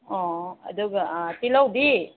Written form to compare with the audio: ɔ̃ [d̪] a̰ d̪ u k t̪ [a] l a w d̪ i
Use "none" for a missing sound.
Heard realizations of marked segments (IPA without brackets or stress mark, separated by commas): none, i